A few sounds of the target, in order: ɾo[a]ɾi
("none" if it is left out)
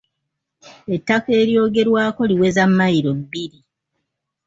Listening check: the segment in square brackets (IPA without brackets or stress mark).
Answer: i